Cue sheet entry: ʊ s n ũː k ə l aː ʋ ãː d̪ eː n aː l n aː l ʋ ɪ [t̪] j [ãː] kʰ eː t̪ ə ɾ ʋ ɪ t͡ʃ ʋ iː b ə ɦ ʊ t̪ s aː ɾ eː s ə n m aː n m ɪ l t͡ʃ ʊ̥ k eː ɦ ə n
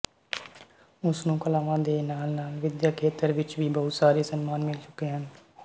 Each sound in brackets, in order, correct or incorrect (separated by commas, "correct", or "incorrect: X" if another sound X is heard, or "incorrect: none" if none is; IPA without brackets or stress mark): incorrect: d̪, incorrect: aː